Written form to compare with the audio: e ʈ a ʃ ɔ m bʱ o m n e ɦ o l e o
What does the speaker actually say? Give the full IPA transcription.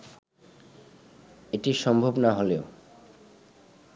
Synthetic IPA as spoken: e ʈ i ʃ ɔ m bʱ o b n a ɦ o l e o